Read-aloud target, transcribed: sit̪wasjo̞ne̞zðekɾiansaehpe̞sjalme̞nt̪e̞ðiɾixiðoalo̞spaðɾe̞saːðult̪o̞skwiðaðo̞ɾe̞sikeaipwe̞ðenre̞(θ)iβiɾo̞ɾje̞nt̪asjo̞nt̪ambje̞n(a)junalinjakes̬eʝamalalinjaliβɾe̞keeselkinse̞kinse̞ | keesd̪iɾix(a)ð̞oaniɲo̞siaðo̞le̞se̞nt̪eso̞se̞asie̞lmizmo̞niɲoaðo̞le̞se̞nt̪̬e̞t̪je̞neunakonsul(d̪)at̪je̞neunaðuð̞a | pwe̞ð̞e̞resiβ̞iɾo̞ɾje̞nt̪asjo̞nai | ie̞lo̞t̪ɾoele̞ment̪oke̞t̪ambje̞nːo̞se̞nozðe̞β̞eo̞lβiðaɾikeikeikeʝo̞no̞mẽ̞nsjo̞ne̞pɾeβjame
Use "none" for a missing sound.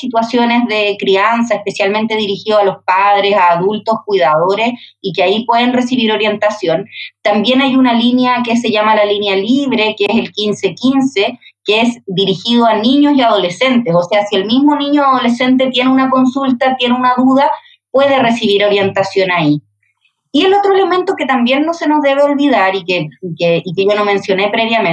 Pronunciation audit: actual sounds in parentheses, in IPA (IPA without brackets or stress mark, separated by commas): s, a, i, t̪